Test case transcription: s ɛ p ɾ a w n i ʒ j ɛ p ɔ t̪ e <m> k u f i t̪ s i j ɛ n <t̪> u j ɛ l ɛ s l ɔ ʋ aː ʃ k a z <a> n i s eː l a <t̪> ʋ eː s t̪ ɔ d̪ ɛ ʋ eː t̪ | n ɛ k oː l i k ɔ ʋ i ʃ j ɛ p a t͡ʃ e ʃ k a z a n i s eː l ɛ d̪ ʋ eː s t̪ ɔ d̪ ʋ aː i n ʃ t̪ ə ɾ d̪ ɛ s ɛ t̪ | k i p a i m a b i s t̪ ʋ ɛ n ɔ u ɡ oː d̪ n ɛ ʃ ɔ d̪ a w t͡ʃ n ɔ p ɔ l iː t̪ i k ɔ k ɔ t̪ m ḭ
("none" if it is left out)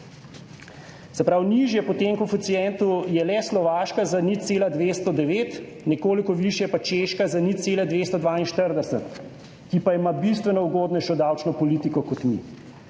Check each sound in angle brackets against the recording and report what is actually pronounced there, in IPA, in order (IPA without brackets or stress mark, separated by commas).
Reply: ŋ, t̪, a, d̪